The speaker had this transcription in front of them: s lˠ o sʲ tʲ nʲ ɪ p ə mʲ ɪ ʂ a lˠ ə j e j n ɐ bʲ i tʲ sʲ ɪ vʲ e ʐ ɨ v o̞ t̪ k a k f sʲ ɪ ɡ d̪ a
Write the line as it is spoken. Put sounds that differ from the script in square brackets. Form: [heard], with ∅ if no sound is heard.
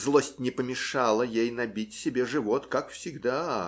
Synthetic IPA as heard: [z] lˠ o sʲ tʲ nʲ ɪ p ə mʲ ɪ ʂ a lˠ ə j e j n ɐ bʲ i tʲ sʲ ɪ [bʲ] e ʐ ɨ v o̞ t̪ k a k f sʲ ɪ ɡ d̪ a